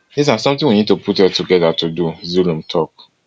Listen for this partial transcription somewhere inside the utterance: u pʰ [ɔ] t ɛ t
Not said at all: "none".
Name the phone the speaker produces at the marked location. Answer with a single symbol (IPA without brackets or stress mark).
u